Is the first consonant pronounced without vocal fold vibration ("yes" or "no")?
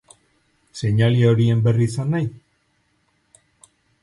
yes